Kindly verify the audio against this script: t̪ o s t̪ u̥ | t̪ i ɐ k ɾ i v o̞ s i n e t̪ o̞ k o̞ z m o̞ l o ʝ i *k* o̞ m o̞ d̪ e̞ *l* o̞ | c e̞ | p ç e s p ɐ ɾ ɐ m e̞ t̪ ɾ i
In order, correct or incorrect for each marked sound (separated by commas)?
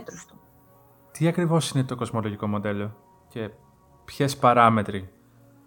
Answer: correct, correct